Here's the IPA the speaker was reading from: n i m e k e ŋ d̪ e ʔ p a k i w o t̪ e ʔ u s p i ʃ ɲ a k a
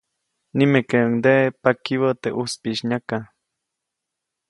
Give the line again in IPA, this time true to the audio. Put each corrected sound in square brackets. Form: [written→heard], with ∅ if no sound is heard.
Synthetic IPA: n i m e k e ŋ d̪ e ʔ p a k i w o t̪ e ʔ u s p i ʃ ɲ a k a